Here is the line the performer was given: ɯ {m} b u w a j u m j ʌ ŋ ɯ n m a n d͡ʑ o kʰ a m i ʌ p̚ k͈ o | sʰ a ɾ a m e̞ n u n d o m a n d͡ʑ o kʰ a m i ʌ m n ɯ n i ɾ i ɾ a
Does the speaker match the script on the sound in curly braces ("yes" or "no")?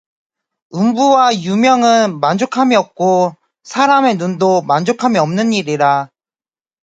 yes